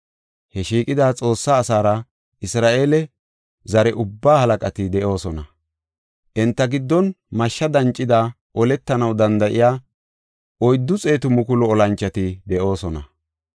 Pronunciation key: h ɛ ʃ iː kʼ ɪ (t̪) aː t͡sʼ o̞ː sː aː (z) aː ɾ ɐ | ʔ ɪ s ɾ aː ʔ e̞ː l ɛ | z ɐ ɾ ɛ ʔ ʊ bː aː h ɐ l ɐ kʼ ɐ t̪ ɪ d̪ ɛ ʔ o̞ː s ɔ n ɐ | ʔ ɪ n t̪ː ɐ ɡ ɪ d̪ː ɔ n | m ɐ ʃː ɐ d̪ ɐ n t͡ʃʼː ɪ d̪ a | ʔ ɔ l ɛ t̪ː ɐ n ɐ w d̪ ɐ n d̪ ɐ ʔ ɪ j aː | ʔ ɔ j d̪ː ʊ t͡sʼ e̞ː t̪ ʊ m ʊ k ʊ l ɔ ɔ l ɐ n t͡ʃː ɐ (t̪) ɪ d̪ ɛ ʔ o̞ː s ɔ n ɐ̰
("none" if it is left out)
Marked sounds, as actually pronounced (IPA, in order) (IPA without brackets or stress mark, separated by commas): d̪, s, t̪